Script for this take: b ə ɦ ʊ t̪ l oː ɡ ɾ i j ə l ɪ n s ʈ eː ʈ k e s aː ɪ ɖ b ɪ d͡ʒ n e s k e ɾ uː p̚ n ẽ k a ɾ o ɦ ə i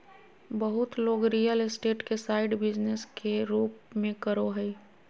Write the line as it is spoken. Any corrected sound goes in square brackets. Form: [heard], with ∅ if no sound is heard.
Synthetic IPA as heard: b ə ɦ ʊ t̪ l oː ɡ ɾ i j ə l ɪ [∅] s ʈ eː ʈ k e s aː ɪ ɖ b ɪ d͡ʒ n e s k e ɾ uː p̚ [m] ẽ k [ə] ɾ o ɦ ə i